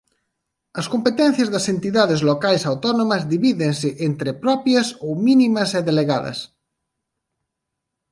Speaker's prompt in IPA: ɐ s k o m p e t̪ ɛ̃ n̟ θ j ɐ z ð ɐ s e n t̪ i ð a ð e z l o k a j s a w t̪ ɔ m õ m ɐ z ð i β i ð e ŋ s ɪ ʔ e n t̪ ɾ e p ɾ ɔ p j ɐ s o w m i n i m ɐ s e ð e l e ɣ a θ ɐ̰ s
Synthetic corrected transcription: ɐ s k o m p e t̪ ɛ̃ n̟ θ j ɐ z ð ɐ s e n t̪ i ð a ð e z l o k a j s a w t̪ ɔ n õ m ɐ z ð i β i ð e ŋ s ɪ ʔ e n t̪ ɾ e p ɾ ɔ p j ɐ s o w m i n i m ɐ s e ð e l e ɣ a ð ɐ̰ s